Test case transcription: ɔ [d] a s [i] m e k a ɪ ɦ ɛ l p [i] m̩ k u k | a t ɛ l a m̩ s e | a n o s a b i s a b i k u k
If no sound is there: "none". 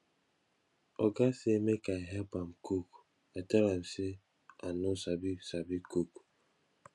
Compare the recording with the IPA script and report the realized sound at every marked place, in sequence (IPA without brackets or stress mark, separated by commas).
ɡ, e, a